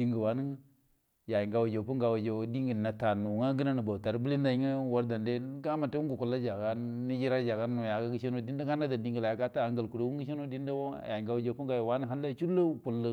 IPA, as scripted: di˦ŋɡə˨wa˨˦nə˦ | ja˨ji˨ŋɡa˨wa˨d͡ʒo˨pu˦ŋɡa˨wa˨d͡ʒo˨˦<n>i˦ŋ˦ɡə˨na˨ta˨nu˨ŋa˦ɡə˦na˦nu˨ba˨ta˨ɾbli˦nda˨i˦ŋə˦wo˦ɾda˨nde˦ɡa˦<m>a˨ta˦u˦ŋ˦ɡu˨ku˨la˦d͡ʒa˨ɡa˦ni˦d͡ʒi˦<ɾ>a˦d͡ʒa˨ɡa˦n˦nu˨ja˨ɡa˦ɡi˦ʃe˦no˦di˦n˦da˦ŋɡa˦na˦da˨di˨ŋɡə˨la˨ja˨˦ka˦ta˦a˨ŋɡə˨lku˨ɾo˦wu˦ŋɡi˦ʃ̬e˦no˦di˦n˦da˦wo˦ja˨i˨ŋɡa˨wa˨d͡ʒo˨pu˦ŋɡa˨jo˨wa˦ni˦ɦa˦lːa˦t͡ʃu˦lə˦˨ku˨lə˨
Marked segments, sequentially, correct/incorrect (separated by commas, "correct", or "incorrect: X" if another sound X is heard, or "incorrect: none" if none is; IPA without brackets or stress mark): incorrect: d, correct, correct